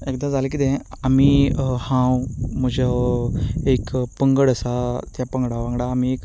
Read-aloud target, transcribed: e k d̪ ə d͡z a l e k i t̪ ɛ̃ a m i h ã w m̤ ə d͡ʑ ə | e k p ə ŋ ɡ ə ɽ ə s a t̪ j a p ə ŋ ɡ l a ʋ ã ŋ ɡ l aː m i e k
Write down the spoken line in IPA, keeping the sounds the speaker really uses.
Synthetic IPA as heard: e k d̪ a d͡z a l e k i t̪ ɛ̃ a m i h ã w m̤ ə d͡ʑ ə | e k p ə ŋ ɡ ə ɽ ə s a t̪ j a p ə ŋ ɡ ɽ a ʋ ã ŋ ɡ ɽ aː m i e k

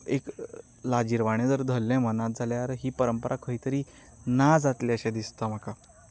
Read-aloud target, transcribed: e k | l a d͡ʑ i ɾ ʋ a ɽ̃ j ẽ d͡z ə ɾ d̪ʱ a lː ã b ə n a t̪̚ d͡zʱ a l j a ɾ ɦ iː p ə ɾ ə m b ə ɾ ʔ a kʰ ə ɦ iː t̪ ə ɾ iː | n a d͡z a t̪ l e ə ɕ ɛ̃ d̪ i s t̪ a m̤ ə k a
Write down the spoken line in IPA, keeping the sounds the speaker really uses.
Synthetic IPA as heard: e k | l a d͡ʑ i ɾ ʋ a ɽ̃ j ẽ d͡z ə ɾ d̪ʱ ə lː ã m ə n a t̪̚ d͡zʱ a l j a ɾ ɦ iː p ə ɾ ə m p ə ɾ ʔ a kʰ ə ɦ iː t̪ ə ɾ iː | n a d͡z a t̪ l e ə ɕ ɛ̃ d̪ i s t̪ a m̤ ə k a

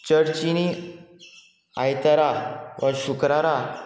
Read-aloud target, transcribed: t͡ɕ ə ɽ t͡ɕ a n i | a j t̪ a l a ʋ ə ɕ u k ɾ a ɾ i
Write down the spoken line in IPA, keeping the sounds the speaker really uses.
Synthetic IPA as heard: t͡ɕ ə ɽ t͡ɕ i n i | a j t̪ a ɾ a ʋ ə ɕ u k ɾ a ɾ a

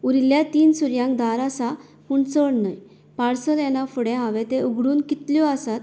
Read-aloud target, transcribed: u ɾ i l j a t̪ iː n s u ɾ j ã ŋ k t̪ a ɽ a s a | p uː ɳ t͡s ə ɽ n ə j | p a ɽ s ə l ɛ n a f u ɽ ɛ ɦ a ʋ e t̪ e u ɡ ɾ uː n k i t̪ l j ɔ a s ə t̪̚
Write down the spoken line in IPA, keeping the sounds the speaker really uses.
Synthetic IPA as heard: u ɾ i l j a t̪ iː n s u ɾ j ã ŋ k d̪ a ɾ a s a | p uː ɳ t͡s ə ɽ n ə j | p a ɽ s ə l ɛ n a f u ɽ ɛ ɦ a ʋ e t̪ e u ɡ ɽ uː n k i t̪ l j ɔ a s a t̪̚

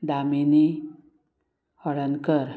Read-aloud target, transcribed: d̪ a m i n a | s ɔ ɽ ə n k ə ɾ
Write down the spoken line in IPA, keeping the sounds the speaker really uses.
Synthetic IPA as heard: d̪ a m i n i | h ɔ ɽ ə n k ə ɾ

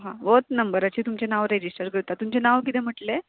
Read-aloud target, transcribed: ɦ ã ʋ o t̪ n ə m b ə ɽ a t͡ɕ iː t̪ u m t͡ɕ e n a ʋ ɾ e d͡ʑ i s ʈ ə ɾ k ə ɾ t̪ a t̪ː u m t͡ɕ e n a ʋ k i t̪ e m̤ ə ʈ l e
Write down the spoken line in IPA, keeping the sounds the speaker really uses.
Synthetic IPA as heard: ɦ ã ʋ o t̪ n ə m b ə ɾ a t͡ɕ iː t̪ u m t͡ɕ e n a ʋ ɾ e d͡ʑ i s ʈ ə ɾ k ə ɾ t̪ a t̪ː u m t͡ɕ e n a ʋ k i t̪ e m̤ ə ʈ l e

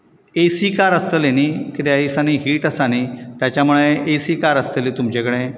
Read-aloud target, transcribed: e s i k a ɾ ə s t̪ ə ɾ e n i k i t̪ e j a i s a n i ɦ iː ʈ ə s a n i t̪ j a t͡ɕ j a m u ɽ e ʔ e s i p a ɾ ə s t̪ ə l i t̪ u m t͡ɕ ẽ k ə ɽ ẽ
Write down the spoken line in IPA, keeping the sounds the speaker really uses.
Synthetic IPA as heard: e s i k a ɾ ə s t̪ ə l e n i k i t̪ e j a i s a n i ɦ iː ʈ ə s a n i t̪ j a t͡ɕ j a m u ɭ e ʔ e s i k a ɾ ə s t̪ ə l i t̪ u m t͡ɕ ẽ k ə ɽ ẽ

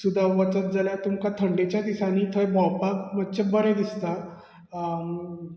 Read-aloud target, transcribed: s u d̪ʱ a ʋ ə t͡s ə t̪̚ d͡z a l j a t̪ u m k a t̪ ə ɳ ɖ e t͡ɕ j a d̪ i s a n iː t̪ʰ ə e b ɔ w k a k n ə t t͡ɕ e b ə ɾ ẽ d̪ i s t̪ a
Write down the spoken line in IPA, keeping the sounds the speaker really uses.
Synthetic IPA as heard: s u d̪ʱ a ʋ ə t͡s ə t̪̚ d͡z a l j a t̪ u m k a t̪ʰ ə ɳ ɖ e t͡ɕ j a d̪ i s a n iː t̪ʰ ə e b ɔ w p a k m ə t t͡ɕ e b ə ɾ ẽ d̪ i s t̪ a

